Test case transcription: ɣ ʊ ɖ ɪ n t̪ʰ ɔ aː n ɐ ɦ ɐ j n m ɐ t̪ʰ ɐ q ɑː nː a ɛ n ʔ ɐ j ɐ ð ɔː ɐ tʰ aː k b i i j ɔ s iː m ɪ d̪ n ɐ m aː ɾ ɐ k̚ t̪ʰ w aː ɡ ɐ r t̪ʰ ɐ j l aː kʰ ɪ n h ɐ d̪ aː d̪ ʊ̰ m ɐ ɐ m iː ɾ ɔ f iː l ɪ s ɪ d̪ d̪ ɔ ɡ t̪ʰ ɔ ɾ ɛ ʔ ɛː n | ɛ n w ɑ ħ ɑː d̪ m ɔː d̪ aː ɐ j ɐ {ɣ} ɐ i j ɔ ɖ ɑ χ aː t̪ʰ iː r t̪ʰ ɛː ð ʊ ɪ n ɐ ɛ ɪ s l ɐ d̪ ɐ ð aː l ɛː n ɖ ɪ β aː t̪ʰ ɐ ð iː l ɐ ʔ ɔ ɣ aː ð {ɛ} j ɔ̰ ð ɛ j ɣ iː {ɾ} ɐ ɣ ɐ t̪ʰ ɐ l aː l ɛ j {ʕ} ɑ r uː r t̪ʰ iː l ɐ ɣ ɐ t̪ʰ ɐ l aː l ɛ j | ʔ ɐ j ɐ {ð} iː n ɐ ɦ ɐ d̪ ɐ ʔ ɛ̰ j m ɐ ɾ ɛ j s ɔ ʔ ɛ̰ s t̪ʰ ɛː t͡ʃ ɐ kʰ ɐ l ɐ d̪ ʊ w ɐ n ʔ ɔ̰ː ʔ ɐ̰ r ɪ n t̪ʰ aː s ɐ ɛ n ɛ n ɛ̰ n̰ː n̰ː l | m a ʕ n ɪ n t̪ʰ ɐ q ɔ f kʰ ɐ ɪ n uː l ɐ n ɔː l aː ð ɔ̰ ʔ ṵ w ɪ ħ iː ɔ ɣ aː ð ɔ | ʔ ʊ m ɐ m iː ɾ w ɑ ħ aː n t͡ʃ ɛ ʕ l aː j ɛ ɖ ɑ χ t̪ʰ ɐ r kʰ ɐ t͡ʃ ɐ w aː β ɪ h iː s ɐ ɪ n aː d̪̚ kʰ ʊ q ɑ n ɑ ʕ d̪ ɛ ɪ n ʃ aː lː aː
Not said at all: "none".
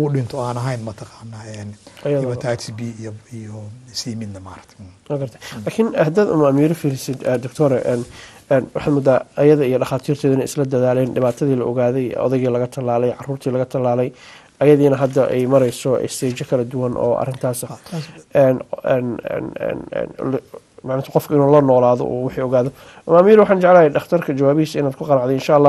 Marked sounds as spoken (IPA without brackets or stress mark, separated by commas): ð, ɛ, l, ʕ, ð